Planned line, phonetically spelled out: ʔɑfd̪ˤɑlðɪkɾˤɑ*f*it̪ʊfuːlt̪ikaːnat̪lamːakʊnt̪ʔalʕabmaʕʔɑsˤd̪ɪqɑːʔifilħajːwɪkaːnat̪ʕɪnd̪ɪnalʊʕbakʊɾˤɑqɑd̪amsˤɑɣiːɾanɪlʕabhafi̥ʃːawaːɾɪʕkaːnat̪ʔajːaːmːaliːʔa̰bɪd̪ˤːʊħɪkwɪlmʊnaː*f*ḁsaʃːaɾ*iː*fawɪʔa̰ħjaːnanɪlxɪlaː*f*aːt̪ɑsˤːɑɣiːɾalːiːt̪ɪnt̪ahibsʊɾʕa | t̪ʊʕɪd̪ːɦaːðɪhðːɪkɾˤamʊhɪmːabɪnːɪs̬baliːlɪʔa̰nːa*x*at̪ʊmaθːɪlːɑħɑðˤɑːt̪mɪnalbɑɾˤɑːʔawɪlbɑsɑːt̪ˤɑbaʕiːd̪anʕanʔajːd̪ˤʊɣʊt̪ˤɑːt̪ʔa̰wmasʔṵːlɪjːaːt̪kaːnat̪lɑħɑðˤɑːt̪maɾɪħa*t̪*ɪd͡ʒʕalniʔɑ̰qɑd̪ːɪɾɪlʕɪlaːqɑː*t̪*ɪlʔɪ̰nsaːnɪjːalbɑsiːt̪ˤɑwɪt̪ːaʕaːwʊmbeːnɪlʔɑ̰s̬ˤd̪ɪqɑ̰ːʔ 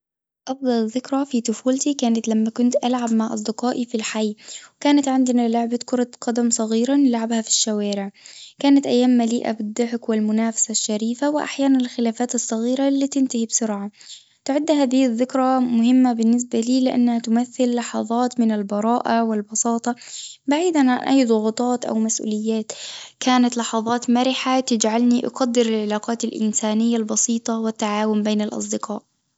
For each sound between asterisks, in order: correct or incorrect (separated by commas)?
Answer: correct, correct, correct, correct, incorrect, correct, correct